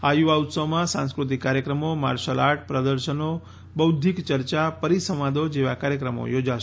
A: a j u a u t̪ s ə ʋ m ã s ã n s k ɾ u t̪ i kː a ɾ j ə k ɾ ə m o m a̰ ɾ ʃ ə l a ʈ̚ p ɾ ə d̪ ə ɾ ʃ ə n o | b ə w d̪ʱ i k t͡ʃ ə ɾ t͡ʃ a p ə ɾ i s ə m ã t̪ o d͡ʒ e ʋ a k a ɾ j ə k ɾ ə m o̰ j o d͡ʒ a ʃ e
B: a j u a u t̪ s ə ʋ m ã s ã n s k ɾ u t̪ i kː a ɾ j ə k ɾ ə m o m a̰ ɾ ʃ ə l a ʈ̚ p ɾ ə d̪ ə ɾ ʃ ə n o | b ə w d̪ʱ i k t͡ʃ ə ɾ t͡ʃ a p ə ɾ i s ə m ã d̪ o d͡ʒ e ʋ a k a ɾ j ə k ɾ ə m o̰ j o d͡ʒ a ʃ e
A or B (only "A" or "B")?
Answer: B